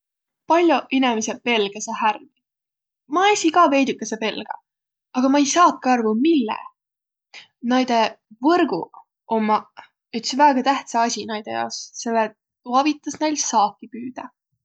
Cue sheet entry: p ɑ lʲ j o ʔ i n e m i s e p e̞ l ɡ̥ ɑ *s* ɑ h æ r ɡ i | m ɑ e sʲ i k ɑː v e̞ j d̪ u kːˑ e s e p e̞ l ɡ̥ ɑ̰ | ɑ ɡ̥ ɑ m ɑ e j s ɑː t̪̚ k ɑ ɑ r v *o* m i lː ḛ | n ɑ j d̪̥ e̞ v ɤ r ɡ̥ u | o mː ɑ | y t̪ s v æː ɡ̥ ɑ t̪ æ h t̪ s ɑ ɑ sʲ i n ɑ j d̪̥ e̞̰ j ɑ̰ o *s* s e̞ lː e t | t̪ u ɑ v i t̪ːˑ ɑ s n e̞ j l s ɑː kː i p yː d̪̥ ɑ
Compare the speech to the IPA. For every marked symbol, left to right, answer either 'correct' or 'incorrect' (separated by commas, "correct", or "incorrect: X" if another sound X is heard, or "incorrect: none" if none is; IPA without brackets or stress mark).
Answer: correct, incorrect: u, correct